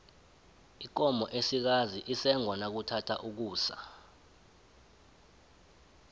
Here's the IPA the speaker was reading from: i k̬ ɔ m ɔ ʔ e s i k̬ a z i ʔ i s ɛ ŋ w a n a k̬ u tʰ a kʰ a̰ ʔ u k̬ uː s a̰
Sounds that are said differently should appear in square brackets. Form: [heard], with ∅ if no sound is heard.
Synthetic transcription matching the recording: i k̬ ɔ m ɔ ʔ e s i k̬ a z i ʔ i s ɛ ŋ w a n a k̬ u tʰ a [tʰ] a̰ ʔ u k̬ uː s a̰